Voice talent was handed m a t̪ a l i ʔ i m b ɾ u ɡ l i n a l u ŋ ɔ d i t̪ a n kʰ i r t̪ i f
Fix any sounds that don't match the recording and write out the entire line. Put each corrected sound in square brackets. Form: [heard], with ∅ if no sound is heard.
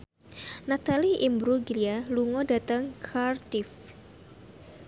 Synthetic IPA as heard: [n] a t̪ a l i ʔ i m b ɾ u ɡ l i [∅] a l u ŋ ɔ d [a] t̪ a [ŋ] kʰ [a] r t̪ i f